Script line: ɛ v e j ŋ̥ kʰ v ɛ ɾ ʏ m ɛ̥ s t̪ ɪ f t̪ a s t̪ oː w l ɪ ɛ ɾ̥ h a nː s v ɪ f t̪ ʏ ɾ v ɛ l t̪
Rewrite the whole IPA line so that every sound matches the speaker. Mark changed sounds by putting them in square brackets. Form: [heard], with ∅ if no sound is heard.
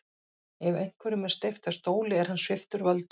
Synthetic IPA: ɛ v e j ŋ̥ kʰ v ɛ ɾ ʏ m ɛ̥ s t̪ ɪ f t̪ a s t̪ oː w l ɪ ɛ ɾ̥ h a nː s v ɪ f t̪ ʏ ɾ v [œ] l t̪